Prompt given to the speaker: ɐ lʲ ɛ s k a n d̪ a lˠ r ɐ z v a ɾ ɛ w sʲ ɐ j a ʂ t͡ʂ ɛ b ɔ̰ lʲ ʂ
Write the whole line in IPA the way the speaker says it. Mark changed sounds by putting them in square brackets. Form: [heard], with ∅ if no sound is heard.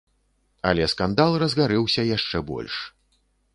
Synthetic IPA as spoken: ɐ lʲ ɛ s k a n d̪ a lˠ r ɐ z [ɣ] a ɾ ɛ w sʲ ɐ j a ʂ t͡ʂ ɛ b ɔ̰ lʲ ʂ

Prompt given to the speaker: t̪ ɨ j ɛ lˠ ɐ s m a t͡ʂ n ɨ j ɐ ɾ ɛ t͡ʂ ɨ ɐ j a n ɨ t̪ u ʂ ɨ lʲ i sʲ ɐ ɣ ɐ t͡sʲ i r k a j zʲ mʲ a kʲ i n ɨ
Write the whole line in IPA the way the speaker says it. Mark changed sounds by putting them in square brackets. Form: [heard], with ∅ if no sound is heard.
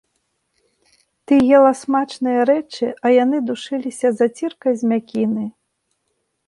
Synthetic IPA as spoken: t̪ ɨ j ɛ lˠ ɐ s m a t͡ʂ n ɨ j ɐ ɾ ɛ t͡ʂ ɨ ɐ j a n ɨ [d̪] u ʂ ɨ lʲ i sʲ ɐ [z] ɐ t͡sʲ i r k [ɐ] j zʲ mʲ a kʲ i n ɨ

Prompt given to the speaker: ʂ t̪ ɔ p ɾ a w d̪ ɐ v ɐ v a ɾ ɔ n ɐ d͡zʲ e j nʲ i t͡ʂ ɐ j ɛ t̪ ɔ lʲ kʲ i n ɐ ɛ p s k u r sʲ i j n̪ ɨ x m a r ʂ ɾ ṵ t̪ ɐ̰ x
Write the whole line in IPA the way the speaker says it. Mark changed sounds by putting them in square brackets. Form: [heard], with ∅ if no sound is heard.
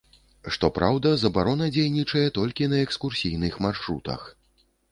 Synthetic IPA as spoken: ʂ t̪ ɔ p ɾ a w d̪ ɐ [z] ɐ [b] a ɾ ɔ n ɐ d͡zʲ e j nʲ i t͡ʂ ɐ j ɛ t̪ ɔ lʲ kʲ i n ɐ ɛ [k] s k u r sʲ i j n̪ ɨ x m a r ʂ ɾ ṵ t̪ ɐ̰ x

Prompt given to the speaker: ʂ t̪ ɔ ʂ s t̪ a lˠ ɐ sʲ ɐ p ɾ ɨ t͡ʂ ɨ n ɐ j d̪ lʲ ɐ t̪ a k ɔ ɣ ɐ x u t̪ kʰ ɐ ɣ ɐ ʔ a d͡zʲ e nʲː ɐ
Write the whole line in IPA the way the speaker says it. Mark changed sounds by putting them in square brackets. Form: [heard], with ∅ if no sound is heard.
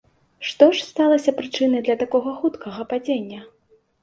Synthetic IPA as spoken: ʂ t̪ ɔ ʂ s t̪ a lˠ ɐ sʲ ɐ p ɾ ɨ t͡ʂ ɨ n ɐ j d̪ lʲ ɐ t̪ a k ɔ ɣ ɐ x u t̪ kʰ ɐ ɣ ɐ [p] a d͡zʲ e nʲː ɐ

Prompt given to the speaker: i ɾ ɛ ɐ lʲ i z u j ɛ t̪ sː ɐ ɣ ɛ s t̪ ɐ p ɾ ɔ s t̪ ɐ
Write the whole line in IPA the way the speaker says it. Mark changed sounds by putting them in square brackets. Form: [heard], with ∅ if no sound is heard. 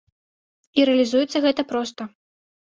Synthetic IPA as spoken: i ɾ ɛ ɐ lʲ i z u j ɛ t̪ sː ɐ ɣ ɛ [∅] t̪ ɐ p ɾ ɔ s t̪ ɐ

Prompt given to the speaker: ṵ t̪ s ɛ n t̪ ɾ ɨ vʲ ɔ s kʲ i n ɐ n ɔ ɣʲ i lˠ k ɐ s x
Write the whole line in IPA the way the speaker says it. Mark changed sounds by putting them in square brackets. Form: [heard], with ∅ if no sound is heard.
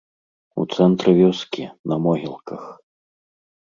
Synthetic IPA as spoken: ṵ t̪ s ɛ n t̪ ɾ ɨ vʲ ɔ s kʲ i n ɐ [m] ɔ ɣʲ i lˠ k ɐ [∅] x

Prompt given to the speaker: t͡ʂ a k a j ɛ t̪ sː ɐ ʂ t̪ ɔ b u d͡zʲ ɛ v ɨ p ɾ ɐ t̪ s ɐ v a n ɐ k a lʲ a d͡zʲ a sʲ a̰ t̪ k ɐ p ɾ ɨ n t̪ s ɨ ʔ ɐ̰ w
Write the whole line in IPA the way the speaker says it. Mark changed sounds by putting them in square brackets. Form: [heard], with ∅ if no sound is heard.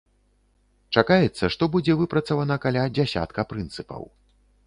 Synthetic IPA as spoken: t͡ʂ a k a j ɛ t̪ sː ɐ ʂ t̪ ɔ b u d͡zʲ ɛ v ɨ p ɾ ɐ t̪ s ɐ v a n ɐ k a lʲ a d͡zʲ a sʲ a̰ t̪ k ɐ p ɾ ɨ n t̪ s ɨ [p] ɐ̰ w

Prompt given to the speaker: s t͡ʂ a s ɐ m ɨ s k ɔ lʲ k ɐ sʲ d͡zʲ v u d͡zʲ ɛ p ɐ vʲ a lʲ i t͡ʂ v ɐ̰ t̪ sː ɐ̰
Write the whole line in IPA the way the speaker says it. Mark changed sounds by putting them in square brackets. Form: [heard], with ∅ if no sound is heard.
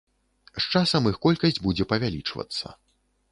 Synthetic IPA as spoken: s t͡ʂ a s ɐ m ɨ [x] k ɔ lʲ k ɐ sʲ d͡zʲ [b] u d͡zʲ ɛ p ɐ vʲ a lʲ i t͡ʂ v ɐ̰ t̪ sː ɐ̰

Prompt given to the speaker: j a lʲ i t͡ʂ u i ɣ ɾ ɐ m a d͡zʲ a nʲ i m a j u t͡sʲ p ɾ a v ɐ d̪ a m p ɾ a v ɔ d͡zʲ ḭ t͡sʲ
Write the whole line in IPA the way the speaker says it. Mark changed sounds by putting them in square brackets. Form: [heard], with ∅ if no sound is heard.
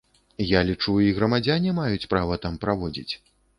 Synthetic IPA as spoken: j a lʲ i t͡ʂ u i ɣ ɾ ɐ m a d͡zʲ a nʲ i m a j u t͡sʲ p ɾ a v ɐ [t̪] a m p ɾ a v ɔ d͡zʲ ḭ t͡sʲ

